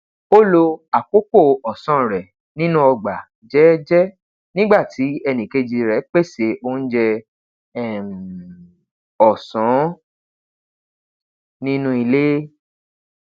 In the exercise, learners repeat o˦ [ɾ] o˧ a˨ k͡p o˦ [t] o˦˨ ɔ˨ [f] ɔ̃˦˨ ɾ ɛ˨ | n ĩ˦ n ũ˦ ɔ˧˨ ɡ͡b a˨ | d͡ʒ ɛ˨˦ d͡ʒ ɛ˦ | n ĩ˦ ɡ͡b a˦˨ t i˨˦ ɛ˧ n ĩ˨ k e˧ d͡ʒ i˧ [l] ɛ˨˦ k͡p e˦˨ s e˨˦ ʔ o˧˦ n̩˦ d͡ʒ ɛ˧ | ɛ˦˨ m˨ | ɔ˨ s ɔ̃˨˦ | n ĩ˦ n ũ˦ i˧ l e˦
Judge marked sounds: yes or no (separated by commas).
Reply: no, no, no, no